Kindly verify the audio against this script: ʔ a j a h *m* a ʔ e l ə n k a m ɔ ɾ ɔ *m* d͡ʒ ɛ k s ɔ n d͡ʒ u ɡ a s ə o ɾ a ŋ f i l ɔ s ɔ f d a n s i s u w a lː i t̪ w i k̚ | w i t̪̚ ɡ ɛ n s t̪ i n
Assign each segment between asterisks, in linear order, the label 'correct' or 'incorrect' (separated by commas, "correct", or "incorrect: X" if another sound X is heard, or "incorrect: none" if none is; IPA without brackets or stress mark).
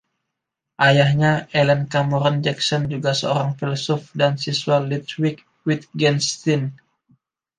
incorrect: ɲ, incorrect: n